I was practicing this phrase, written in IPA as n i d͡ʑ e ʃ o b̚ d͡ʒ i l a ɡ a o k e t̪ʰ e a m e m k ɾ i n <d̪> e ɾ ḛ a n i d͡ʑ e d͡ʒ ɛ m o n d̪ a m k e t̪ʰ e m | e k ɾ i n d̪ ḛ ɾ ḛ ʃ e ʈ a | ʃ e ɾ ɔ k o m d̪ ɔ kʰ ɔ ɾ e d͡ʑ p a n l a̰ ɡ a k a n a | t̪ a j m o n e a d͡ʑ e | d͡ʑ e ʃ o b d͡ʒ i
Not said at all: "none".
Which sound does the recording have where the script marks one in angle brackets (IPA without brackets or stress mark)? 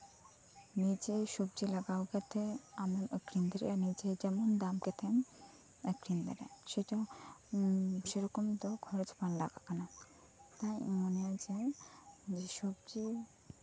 d̪